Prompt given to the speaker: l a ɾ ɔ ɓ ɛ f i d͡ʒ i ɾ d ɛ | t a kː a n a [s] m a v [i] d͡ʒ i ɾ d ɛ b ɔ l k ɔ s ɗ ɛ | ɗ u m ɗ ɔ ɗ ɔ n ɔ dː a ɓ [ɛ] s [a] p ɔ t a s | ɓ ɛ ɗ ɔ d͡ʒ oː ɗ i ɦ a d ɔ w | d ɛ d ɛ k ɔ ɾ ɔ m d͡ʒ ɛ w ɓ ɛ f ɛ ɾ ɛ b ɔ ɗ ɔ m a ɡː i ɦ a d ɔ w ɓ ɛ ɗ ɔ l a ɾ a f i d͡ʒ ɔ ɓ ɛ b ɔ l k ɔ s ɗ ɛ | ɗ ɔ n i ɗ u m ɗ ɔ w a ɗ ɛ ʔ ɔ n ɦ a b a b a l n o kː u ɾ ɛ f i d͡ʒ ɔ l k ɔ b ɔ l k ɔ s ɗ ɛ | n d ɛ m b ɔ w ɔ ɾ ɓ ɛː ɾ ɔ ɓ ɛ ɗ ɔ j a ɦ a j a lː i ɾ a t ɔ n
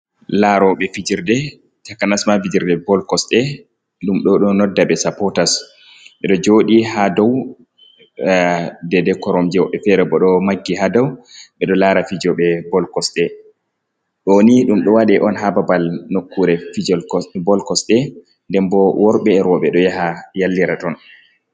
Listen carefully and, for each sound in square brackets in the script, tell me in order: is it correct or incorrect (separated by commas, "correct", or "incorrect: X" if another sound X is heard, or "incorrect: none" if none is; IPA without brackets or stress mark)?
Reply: correct, correct, correct, correct